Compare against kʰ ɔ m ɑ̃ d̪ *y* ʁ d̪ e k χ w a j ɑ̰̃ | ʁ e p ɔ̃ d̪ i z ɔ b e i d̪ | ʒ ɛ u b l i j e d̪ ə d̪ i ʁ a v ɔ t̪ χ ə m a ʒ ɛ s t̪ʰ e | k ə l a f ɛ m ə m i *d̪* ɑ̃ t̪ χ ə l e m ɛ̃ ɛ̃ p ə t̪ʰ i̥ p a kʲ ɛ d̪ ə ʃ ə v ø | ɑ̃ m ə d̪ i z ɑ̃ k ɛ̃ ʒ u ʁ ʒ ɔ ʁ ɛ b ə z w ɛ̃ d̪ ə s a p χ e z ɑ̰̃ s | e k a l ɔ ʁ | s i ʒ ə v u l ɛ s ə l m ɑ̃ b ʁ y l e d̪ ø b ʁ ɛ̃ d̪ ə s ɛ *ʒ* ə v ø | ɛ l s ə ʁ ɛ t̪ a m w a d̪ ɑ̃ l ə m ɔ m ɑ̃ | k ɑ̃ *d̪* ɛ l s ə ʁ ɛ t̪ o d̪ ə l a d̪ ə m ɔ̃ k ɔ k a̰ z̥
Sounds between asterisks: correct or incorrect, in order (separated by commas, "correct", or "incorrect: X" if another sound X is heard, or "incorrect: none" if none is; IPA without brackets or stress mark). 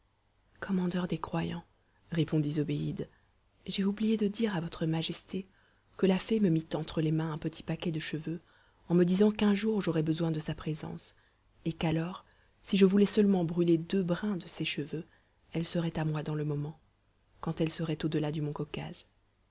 incorrect: œ, incorrect: t̪, incorrect: ʃ, incorrect: t̪